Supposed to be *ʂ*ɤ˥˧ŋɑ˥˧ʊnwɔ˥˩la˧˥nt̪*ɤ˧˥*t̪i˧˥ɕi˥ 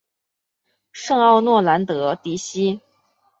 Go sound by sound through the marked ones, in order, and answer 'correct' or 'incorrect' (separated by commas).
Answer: correct, correct